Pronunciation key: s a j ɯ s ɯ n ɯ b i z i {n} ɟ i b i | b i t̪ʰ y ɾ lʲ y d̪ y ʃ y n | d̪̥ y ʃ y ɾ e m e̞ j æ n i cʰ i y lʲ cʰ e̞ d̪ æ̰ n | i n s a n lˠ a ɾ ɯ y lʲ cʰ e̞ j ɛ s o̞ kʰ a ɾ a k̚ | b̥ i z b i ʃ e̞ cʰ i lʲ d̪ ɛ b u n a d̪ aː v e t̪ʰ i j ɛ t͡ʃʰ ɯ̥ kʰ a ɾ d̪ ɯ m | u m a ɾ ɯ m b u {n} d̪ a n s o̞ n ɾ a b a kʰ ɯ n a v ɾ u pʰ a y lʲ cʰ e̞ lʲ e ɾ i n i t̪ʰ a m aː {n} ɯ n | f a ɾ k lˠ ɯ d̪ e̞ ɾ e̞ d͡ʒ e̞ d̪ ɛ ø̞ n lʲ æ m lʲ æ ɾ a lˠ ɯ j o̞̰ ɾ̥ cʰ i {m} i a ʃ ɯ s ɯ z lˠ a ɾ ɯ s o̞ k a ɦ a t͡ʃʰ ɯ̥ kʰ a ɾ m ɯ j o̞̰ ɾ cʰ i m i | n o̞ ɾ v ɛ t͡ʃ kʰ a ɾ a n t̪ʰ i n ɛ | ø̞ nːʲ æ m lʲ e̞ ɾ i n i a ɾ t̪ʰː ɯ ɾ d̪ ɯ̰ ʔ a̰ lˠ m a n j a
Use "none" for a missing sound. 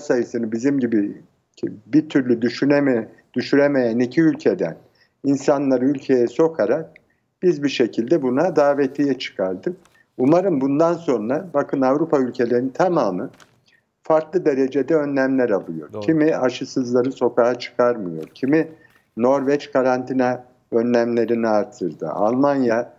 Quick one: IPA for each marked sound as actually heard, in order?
m, n, m, m

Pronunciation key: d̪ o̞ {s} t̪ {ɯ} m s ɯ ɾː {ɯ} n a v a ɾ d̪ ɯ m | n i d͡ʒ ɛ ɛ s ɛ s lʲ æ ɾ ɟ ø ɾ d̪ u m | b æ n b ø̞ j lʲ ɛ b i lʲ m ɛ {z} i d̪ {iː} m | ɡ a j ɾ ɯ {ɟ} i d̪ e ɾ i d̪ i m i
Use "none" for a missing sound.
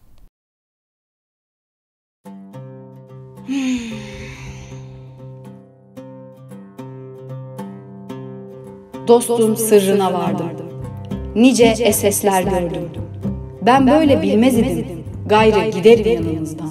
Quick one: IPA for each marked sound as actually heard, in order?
s, u, ɯ, z, i, ɟ

